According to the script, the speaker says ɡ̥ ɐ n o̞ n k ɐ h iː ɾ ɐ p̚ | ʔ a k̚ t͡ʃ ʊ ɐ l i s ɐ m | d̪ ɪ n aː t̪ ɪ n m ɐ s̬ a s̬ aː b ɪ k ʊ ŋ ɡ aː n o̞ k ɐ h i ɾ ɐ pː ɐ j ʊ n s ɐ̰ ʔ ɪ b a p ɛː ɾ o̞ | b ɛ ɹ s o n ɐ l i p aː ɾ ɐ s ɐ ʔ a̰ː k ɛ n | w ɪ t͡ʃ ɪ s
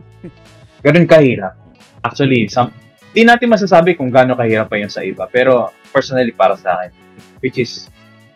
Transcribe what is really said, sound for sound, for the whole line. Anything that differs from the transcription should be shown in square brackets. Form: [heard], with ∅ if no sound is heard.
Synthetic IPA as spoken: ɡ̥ ɐ n o̞ n k ɐ h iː ɾ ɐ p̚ | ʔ a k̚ t͡ʃ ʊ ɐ l i s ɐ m | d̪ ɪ n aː t̪ ɪ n m ɐ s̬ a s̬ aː b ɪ k ʊ ŋ ɡ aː n o̞ k ɐ h [iː] ɾ ɐ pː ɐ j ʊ n s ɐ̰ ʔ ɪ b a p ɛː ɾ o̞ | [p] ɛ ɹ s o n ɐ l i p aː ɾ ɐ s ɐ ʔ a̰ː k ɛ n | w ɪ t͡ʃ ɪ s